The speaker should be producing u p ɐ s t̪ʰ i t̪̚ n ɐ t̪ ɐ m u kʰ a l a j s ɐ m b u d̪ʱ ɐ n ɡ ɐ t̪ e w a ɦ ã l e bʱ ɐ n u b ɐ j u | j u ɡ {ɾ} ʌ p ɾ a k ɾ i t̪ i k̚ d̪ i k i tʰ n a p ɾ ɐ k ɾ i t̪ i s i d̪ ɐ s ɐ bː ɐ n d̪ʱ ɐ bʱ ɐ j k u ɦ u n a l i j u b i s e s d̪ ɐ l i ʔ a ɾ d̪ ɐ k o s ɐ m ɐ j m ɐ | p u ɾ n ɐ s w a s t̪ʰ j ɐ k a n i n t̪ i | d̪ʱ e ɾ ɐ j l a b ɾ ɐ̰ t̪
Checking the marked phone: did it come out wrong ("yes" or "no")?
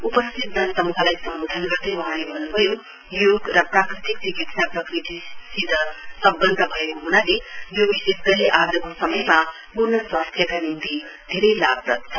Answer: no